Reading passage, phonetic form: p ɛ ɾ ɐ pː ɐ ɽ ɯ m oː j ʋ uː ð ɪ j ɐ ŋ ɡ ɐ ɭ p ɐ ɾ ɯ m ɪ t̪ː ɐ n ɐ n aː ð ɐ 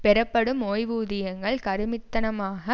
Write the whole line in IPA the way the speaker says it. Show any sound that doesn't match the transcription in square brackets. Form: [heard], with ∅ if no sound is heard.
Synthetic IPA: p ɛ ɾ ɐ pː ɐ ɽ ɯ m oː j ʋ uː ð ɪ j ɐ ŋ ɡ ɐ ɭ [k] ɐ ɾ ɯ m ɪ t̪ː ɐ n ɐ [m] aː [ɣ] ɐ